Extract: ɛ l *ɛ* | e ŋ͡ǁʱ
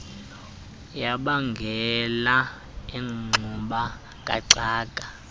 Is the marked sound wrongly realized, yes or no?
yes